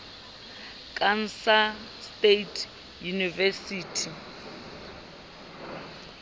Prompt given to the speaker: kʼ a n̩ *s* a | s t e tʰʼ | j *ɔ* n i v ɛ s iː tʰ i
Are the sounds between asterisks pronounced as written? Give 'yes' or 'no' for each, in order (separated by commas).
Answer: yes, no